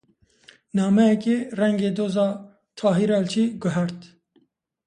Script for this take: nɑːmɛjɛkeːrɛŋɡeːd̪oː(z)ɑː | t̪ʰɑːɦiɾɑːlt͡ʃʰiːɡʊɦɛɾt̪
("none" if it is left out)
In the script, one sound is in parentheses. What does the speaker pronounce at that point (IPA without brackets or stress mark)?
z